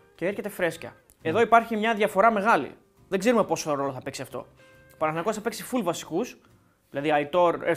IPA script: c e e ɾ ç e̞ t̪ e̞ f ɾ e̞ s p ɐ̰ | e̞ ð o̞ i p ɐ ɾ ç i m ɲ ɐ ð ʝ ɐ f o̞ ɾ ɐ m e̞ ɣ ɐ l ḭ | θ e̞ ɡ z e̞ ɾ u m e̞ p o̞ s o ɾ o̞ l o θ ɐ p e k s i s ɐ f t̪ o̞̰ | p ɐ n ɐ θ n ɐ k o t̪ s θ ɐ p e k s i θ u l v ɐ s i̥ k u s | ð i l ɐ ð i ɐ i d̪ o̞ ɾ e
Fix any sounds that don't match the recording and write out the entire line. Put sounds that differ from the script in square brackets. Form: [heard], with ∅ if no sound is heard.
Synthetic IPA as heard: c e e ɾ ç e̞ t̪ e̞ f ɾ e̞ s [c] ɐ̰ | e̞ ð o̞ i p ɐ ɾ ç i m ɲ ɐ ð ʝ ɐ f o̞ ɾ ɐ m e̞ ɣ ɐ l ḭ | [ð] e̞ ɡ z e̞ ɾ u m e̞ p o̞ s o ɾ o̞ l o θ ɐ p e k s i [∅] ɐ f t̪ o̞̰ | p ɐ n ɐ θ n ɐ k o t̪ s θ ɐ p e k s i [f] u l v ɐ s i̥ k u s | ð i l ɐ ð i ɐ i [t̪] o̞ ɾ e